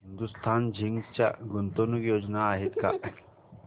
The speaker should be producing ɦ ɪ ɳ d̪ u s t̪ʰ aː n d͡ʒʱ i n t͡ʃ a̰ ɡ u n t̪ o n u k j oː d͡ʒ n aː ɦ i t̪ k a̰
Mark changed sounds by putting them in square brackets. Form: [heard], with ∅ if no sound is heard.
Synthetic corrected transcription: ɦ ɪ [n] d̪ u s t̪ʰ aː n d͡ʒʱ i [ŋ] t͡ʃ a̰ ɡ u n t̪ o n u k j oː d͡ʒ n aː ɦ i t̪ k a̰